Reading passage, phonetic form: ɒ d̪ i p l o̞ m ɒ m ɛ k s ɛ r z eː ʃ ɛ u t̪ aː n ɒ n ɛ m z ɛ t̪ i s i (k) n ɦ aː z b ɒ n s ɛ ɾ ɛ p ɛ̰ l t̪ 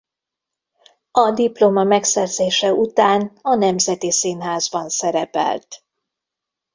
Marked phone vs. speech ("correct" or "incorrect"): incorrect